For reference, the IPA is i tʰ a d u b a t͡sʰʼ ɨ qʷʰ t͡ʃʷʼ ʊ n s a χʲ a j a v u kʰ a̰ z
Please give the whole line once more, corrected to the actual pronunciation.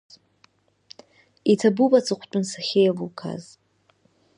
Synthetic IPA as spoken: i tʰ a b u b a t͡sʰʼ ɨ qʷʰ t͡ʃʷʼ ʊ n s a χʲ e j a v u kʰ a̰ z